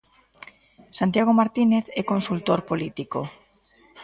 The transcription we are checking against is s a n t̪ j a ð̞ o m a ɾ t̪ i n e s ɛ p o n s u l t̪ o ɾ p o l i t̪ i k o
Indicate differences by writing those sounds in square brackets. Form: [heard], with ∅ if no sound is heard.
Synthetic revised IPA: s a n t̪ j a [ɣ̞] o m a ɾ t̪ i n e [θ] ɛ [k] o n s u l t̪ o ɾ p o l i t̪ i k o

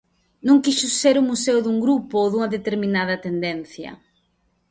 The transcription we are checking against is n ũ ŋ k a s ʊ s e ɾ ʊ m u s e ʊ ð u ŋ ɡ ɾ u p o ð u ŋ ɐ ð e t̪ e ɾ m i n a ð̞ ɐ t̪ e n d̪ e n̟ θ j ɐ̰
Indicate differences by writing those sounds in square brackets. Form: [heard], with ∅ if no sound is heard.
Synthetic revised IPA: n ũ ŋ k [i] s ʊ s e ɾ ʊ m u s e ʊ ð u ŋ ɡ ɾ u p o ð u ŋ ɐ ð e t̪ e ɾ m i n a ð̞ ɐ t̪ e n d̪ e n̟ θ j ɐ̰

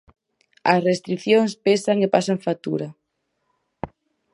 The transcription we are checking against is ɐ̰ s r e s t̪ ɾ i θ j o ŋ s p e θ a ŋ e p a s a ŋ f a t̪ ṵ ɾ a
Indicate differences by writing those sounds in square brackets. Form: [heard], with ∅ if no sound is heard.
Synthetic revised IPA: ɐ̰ s r e s t̪ ɾ i θ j o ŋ s p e [s] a ŋ e p a s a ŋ f a t̪ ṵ ɾ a

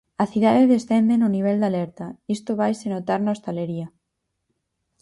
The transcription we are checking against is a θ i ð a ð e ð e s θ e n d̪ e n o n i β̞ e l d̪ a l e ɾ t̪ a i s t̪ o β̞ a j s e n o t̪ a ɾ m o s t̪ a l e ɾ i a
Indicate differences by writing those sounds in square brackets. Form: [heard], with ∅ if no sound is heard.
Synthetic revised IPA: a θ i ð a ð e ð e s θ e n d̪ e n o n i β̞ e l d̪ a l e ɾ t̪ a i s t̪ o β̞ a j s e n o t̪ a ɾ [n] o s t̪ a l e ɾ i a

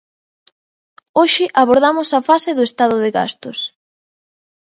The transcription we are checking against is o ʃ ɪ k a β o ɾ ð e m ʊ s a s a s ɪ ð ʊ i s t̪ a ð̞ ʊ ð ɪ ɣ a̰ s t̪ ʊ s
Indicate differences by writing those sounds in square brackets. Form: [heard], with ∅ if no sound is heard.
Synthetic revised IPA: o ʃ ɪ [ʔ] a β o ɾ ð [a] m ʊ s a [f] a s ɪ ð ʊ [e] s t̪ a ð̞ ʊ ð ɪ ɣ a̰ s t̪ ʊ s

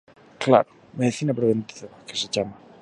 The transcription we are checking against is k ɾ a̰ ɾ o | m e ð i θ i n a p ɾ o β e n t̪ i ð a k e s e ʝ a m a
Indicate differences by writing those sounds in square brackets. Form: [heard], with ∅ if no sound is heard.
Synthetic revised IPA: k [l] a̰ ɾ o | m e ð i θ i n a p ɾ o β e n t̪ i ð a k e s e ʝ a m a

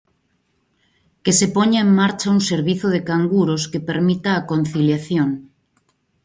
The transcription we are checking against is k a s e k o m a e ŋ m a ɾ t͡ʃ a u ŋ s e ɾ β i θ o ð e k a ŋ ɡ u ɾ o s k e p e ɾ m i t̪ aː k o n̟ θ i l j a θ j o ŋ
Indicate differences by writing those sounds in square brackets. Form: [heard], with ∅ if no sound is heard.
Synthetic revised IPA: k [e] s e [p] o [ɲ] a e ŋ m a ɾ t͡ʃ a u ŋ s e ɾ β i θ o ð e k a ŋ ɡ u ɾ o s k e p e ɾ m i t̪ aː k o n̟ θ i l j a θ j o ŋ

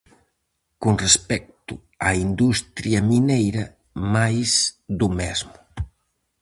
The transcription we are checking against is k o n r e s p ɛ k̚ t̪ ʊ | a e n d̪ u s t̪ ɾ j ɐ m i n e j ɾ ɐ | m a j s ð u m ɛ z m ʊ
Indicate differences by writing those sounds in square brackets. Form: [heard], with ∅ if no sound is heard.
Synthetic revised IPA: k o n r e s p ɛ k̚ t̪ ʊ | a [i] n d̪ u s t̪ ɾ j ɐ m i n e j ɾ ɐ | m a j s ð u m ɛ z m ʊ

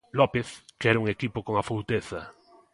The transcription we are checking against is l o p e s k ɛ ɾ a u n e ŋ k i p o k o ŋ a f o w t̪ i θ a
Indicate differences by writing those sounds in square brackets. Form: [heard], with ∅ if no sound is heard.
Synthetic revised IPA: l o p e [θ] k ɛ ɾ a u [ŋ] e [∅] k i p o k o ŋ a f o w t̪ [e] θ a

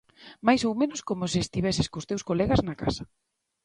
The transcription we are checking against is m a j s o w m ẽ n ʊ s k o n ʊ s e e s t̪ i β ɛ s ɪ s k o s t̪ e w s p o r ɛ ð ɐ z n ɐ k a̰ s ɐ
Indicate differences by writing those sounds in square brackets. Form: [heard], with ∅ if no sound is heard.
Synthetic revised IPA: m a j s o w m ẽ n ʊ s k o [m] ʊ s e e s t̪ i β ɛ s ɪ s k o s t̪ e w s [k] o [l] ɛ [ɣ] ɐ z n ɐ k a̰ s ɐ

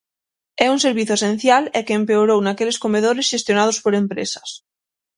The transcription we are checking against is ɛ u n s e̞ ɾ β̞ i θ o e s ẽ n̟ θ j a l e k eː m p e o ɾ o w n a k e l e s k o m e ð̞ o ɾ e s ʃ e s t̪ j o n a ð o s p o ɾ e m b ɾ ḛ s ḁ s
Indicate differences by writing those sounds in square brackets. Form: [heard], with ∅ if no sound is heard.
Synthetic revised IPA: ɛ u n s e̞ ɾ β̞ i θ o e s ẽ n̟ θ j a l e k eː m p e o ɾ o w n a k e l e s k o m e ð̞ o ɾ e s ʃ e s t̪ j o n a ð o s p o ɾ e m [p] ɾ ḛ s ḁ s

